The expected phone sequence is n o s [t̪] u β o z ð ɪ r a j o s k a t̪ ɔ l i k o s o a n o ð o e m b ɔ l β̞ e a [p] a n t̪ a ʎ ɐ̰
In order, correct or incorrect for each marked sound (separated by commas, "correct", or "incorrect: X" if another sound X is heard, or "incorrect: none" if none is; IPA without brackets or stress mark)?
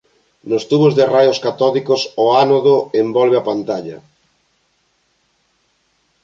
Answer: correct, correct